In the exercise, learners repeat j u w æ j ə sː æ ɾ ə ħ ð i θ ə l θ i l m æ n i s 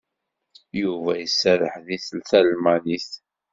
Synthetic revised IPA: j u v æ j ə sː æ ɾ ə ħ ð i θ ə l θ æ l m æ n i θ